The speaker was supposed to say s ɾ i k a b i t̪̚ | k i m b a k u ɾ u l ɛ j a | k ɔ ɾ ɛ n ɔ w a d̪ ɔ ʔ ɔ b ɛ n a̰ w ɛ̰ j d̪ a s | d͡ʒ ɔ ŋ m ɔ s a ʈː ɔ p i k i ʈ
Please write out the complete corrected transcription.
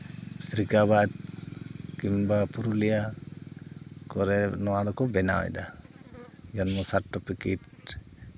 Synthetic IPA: s ɾ i k a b a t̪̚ | k i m b a p u ɾ u l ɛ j a | k ɔ ɾ ɛ n ɔ w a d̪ ɔ k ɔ b ɛ n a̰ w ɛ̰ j d̪ a | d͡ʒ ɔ n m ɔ s a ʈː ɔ p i k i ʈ